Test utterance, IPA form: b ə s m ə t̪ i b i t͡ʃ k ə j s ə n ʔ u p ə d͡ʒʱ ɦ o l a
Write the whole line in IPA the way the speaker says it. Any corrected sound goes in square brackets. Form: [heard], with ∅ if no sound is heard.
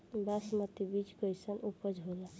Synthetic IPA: b [a] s m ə t̪ i b i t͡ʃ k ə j s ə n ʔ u p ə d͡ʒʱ ɦ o l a